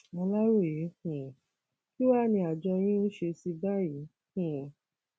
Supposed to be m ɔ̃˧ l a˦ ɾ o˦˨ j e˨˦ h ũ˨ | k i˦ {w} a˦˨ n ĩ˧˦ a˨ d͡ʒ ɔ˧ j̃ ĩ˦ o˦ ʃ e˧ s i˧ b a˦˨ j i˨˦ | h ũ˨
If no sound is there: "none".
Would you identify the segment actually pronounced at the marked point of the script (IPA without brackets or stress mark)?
w